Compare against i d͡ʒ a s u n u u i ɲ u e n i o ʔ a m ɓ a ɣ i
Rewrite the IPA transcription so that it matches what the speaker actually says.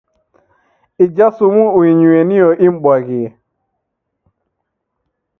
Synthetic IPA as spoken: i d͡ʒ a s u m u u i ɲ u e n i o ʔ i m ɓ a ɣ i